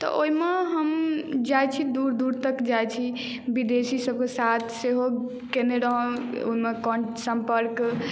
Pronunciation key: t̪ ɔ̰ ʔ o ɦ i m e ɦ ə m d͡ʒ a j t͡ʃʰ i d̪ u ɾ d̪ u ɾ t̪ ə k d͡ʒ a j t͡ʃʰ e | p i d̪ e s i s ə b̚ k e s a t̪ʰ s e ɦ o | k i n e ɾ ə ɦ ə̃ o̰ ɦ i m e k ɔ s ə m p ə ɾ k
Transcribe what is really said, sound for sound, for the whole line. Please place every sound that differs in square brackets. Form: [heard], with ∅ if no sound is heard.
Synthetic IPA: t̪ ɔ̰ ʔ o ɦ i m e ɦ ə m d͡ʒ a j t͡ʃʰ i d̪ u ɾ d̪ u ɾ t̪ ə k d͡ʒ a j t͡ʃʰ [i] | [b] i d̪ e s i s ə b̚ k e s a t̪ʰ s e ɦ o | k [e] n e ɾ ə ɦ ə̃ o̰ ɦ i m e k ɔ s ə m p ə ɾ k